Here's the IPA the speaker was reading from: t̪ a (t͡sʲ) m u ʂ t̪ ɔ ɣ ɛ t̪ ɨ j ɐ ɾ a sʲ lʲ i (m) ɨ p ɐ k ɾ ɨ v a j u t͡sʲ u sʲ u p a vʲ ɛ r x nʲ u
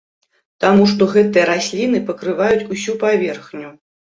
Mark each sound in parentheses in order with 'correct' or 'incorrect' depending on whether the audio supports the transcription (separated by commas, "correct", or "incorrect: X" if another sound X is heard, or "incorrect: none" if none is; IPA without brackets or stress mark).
incorrect: none, incorrect: n